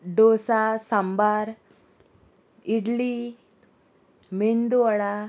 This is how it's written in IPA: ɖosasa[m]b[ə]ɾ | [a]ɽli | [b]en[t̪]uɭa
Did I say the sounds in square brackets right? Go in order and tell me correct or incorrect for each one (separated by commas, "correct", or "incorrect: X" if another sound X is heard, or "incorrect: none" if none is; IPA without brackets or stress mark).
correct, incorrect: a, incorrect: i, incorrect: m, incorrect: d̪